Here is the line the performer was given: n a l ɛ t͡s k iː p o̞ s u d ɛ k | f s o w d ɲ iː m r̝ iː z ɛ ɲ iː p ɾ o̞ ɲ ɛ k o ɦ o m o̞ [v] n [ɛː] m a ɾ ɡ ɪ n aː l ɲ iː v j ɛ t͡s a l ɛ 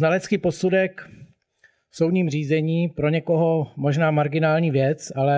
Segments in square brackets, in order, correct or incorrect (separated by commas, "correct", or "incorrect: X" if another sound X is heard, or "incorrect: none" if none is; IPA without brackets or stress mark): incorrect: ʒ, incorrect: aː